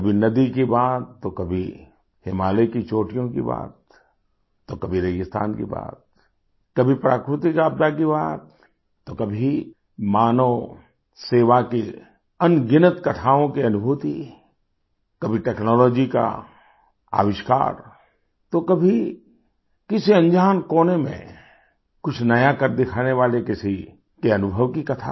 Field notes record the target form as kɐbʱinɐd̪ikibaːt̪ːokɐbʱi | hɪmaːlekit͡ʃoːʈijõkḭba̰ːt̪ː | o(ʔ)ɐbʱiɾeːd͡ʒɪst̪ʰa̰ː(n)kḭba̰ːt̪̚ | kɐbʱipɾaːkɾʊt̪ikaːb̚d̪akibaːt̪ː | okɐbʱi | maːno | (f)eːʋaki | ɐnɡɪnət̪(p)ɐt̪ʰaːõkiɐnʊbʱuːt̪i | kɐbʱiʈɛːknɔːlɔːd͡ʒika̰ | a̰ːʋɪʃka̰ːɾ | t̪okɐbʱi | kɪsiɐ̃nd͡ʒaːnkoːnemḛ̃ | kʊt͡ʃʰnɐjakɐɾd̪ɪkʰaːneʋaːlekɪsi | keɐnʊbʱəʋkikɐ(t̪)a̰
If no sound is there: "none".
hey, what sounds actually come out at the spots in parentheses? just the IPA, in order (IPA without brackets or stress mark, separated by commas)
k, n, s, k, t̪ʰ